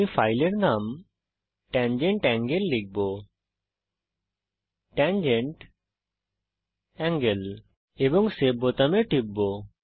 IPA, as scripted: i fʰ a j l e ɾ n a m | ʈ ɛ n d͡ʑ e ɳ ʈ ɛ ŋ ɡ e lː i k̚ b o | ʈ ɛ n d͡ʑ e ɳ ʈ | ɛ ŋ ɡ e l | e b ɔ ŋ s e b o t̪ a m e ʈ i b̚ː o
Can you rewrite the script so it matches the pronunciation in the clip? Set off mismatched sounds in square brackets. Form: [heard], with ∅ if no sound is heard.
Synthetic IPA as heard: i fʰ a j l e ɾ n a m | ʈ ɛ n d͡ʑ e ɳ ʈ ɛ ŋ ɡ e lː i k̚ b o | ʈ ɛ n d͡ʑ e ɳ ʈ | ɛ ŋ ɡ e l | e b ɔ ŋ s e b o t̪ a m e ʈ i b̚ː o